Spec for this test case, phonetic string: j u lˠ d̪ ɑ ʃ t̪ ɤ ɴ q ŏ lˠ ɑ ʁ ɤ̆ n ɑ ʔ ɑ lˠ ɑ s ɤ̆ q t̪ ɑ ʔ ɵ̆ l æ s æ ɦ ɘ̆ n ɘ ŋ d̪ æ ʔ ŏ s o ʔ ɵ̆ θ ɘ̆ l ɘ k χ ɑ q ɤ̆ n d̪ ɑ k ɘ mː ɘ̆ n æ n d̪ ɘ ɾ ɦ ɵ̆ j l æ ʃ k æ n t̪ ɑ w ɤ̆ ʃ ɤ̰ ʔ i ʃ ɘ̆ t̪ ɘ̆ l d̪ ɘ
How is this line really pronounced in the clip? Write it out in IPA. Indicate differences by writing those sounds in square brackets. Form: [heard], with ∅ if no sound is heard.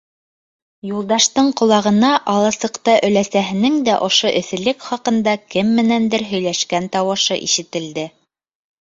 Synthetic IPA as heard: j u lˠ d̪ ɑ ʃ t̪ ɤ ɴ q ŏ lˠ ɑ ʁ ɤ̆ n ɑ ʔ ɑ lˠ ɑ s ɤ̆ q t̪ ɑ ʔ ɵ̆ l æ s æ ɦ ɘ̆ n ɘ ŋ d̪ æ ʔ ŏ [ʃ] o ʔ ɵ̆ θ ɘ̆ l ɘ k χ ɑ q ɤ̆ n d̪ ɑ k ɘ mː ɘ̆ n æ n d̪ ɘ ɾ ɦ ɵ̆ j l æ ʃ k æ n t̪ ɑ w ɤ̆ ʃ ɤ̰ ʔ i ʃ ɘ̆ t̪ ɘ̆ l d̪ ɘ